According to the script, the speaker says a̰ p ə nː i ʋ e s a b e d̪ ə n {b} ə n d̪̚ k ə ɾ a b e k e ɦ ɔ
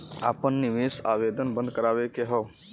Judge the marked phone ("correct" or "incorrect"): correct